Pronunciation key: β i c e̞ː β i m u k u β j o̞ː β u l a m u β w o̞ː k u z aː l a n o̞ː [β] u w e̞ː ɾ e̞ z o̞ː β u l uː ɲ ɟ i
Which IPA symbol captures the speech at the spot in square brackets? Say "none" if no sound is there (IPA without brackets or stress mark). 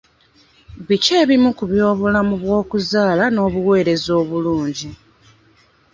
β